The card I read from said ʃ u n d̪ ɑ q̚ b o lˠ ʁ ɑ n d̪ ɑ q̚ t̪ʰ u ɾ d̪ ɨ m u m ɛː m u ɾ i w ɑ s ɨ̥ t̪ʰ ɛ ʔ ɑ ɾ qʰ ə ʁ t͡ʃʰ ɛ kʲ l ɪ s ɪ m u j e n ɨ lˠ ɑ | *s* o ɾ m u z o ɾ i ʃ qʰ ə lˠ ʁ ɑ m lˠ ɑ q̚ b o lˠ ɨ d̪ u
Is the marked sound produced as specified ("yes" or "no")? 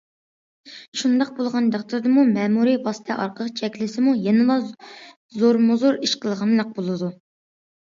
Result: no